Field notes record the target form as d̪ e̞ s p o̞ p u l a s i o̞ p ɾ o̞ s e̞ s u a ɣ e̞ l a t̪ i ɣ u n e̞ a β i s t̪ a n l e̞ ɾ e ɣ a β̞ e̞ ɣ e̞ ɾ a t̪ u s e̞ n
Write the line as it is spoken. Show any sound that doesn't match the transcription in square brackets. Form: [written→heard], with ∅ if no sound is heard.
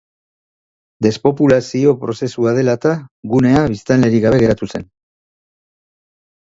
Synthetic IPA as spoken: d̪ e̞ s p o̞ p u l a s i o̞ p ɾ o̞ s e̞ s u a [ɣ→ð] e̞ l a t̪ [i→a] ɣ u n e̞ a β i s t̪ a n l e̞ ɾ [e→i] ɣ a β̞ e̞ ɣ e̞ ɾ a t̪ u s e̞ n